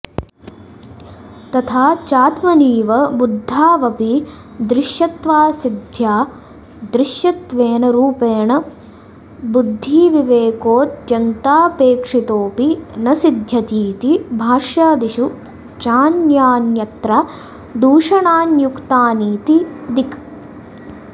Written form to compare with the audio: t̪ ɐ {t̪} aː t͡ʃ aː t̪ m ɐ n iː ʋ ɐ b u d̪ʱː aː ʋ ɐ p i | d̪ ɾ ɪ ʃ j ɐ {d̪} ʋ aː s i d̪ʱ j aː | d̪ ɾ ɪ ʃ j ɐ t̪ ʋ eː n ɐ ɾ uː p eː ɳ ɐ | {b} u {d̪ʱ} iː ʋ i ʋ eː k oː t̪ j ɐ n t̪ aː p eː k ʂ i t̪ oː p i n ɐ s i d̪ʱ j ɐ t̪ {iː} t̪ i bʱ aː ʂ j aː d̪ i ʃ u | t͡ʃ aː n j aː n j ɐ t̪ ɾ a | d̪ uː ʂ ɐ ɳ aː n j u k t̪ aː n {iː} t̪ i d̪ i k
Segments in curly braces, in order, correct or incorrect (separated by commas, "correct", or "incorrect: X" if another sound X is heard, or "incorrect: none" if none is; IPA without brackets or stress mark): incorrect: t̪ʰ, incorrect: t̪, correct, incorrect: d̪ʱː, correct, correct